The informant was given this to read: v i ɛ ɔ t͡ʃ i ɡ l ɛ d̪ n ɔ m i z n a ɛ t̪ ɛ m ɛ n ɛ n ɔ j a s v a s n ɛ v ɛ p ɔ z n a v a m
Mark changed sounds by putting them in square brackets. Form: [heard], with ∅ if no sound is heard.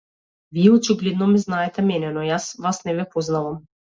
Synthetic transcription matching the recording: v i ɛ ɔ t͡ʃ i ɡ l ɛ d̪ n ɔ m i z n a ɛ t̪ ɛ m ɛ n ɛ n ɔ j a s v a s n ɛ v ɛ p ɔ z n a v a m

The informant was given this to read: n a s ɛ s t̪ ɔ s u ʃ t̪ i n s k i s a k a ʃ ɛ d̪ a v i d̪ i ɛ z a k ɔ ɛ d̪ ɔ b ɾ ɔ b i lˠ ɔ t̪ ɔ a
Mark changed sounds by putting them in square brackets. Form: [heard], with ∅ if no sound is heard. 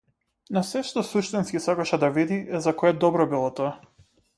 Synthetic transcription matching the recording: n a s ɛ [ʃ] t̪ ɔ s u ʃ t̪ i n s k i s a k a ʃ ɛ d̪ a v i d̪ i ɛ z a k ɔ ɛ d̪ ɔ b ɾ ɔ b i lˠ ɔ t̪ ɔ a

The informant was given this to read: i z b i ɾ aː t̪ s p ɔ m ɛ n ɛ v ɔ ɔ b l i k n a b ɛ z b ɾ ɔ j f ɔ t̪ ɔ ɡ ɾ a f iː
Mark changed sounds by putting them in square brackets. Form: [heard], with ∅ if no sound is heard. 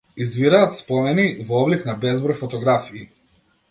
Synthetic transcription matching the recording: i z [v] i ɾ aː t̪ s p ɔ m ɛ n [i] v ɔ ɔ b l i k n a b ɛ z b ɾ ɔ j f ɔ t̪ ɔ ɡ ɾ a f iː

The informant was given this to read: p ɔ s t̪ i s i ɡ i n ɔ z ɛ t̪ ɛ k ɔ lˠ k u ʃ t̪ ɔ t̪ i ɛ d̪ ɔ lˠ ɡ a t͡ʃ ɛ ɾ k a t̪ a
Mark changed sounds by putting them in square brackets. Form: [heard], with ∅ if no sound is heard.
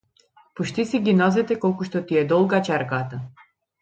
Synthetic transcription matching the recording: p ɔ [ʃ] t̪ i s i ɡ i n ɔ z ɛ t̪ ɛ k ɔ lˠ k u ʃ t̪ ɔ t̪ i ɛ d̪ ɔ lˠ ɡ a t͡ʃ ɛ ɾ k a t̪ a

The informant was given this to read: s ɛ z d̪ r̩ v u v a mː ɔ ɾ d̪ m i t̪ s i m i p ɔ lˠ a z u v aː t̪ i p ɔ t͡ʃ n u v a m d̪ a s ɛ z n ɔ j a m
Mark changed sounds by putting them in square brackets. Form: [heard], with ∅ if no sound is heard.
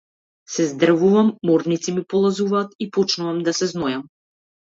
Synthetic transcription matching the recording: s ɛ z d̪ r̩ v u v a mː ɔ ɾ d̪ [n] i t̪ s i m i p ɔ lˠ a z u v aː t̪ i p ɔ t͡ʃ n u v a m d̪ a s ɛ z n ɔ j a m

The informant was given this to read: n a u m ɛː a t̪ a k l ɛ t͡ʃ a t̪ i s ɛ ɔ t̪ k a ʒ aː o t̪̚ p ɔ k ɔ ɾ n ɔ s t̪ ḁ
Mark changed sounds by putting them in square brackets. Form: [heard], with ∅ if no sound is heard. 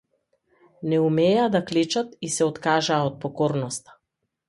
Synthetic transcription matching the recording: n [ɛ] u m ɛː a [d̪] a k l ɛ t͡ʃ a t̪ i s ɛ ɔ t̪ k a ʒ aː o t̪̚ p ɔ k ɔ ɾ n ɔ s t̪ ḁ

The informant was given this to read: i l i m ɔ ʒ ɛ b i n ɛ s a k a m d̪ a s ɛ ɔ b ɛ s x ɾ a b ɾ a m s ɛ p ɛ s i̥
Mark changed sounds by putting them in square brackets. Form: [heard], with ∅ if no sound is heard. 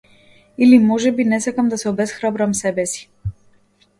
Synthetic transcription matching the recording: i l i m ɔ ʒ ɛ b i n ɛ s a k a m d̪ a s ɛ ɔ b ɛ s x ɾ a b ɾ a m s ɛ [b] ɛ s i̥

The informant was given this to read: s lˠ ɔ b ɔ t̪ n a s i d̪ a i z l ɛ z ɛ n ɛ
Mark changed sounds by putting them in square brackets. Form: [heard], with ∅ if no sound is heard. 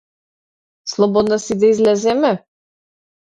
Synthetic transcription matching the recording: s lˠ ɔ b ɔ [d̪] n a s i d̪ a i z l ɛ z ɛ [m] ɛ

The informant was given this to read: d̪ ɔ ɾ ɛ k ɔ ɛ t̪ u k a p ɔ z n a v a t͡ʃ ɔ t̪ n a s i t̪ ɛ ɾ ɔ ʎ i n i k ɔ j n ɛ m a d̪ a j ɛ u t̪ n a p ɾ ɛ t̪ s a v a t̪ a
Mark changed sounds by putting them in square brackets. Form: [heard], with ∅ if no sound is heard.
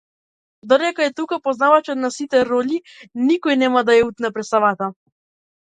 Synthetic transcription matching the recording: d̪ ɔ ɾ ɛ k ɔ ɛ t̪ u k a p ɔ z n a v a t͡ʃ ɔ t̪ n a s i t̪ ɛ ɾ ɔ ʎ i n i k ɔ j n ɛ m a d̪ a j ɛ u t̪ n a p ɾ ɛ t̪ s a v a t̪ a

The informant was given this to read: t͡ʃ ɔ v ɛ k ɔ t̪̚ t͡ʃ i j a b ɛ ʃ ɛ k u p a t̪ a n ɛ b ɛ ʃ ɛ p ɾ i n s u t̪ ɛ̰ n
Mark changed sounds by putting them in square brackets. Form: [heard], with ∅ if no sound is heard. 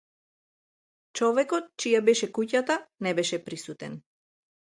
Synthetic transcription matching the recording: t͡ʃ ɔ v ɛ k ɔ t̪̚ t͡ʃ i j a b ɛ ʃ ɛ k u [c] a t̪ a n ɛ b ɛ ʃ ɛ p ɾ i [∅] s u t̪ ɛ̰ n

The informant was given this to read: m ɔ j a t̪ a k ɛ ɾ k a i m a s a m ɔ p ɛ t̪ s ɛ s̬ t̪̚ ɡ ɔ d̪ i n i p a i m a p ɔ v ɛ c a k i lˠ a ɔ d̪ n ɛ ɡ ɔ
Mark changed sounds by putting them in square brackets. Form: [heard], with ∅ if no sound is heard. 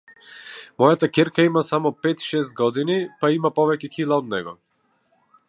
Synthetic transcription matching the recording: m ɔ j a t̪ a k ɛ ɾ k a i m a s a m ɔ p ɛ t̪ [ʃ] ɛ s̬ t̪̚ ɡ ɔ d̪ i n i p a i m a p ɔ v ɛ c [ɛ] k i lˠ a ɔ d̪ n ɛ ɡ ɔ

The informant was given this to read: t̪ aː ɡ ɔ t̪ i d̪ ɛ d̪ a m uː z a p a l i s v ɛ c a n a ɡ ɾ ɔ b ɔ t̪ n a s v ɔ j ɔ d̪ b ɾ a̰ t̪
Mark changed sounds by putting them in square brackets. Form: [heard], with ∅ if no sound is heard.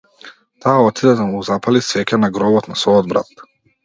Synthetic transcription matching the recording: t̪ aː [∅] ɔ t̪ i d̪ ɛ d̪ a m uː z a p a l i s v ɛ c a n a ɡ ɾ ɔ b ɔ t̪ n a s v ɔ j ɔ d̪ b ɾ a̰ t̪

